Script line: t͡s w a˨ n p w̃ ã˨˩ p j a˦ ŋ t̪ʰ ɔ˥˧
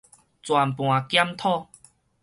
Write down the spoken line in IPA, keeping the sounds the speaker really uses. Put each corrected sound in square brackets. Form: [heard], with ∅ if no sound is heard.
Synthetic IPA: t͡s w a˨ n p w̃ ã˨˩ [k] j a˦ [m] t̪ʰ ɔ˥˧

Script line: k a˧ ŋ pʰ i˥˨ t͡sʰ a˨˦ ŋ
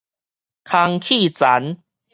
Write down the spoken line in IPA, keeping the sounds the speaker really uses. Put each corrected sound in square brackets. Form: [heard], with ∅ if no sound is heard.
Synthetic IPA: [kʰ] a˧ ŋ [kʰ] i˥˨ [t͡s] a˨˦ [n]

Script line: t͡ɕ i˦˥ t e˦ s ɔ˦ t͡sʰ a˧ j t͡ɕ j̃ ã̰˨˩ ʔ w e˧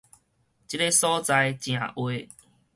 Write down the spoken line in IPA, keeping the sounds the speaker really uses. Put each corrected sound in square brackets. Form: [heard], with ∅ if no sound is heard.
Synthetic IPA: t͡ɕ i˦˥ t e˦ s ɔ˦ [t͡s] a˧ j t͡ɕ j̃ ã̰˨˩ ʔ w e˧

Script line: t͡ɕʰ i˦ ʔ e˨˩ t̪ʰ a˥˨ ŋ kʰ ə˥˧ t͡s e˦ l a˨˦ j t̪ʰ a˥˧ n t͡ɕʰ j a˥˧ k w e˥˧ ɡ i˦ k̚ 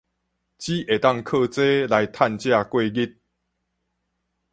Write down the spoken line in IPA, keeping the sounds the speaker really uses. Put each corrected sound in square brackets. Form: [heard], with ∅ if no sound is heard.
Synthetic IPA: [t͡ɕ] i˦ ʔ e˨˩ [t̪] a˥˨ ŋ kʰ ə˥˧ t͡s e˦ l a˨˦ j t̪ʰ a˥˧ n [t͡ɕ] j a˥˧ k w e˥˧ ɡ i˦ [t̚]

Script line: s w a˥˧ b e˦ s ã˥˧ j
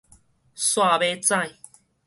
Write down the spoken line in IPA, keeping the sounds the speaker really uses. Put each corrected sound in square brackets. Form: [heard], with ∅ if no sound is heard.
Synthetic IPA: s w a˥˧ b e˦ [t͡s] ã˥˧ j

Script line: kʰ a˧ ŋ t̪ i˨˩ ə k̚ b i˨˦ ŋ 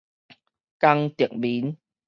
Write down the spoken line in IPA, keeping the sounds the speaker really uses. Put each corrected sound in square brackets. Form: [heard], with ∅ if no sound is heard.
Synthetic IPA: [k] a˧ ŋ t̪ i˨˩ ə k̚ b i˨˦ [n]

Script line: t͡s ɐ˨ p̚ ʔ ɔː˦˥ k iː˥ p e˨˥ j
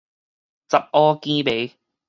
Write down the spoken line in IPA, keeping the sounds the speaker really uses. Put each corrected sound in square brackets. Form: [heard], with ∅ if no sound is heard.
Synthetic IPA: t͡s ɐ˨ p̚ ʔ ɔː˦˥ k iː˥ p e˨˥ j

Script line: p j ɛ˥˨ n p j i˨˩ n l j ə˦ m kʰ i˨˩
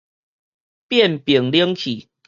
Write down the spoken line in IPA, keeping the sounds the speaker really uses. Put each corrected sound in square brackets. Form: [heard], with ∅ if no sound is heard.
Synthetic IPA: p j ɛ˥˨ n p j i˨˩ [ŋ] l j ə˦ [ŋ] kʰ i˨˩

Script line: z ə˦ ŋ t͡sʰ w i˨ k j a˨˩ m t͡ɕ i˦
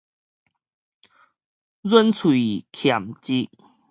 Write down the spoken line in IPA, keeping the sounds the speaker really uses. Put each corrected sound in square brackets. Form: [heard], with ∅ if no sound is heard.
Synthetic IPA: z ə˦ [n] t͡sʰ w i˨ [kʰ] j a˨˩ m t͡ɕ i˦

